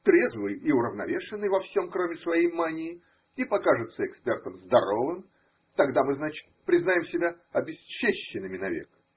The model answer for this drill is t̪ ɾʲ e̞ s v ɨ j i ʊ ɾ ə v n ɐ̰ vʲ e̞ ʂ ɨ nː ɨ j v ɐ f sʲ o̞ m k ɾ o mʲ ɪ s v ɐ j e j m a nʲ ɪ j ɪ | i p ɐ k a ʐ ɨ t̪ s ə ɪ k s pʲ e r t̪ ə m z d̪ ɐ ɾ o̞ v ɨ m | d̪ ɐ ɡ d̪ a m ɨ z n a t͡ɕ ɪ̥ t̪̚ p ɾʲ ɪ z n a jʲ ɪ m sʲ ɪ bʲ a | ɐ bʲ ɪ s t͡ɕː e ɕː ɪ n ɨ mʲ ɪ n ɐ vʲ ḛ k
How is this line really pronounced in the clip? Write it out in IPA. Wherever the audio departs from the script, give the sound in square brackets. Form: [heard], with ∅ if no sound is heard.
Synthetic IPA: t̪ ɾʲ e̞ [z] v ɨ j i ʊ ɾ ə v n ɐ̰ vʲ e̞ ʂ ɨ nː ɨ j v ɐ f sʲ o̞ m k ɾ o mʲ ɪ s v ɐ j e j m a nʲ ɪ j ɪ | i p ɐ k a ʐ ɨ t̪ s ə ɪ k s pʲ e r t̪ ə m z d̪ ɐ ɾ o̞ v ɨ m | [t̪] ɐ ɡ d̪ a m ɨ z n a t͡ɕ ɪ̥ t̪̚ p ɾʲ ɪ z n a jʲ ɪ m sʲ ɪ bʲ a | ɐ bʲ ɪ s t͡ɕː e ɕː ɪ n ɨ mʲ ɪ n ɐ vʲ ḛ k